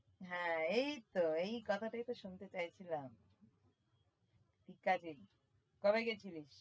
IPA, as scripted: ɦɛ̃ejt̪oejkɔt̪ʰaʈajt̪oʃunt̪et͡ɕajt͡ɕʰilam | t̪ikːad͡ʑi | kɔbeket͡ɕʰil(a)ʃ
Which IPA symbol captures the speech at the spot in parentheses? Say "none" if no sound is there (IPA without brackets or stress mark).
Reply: i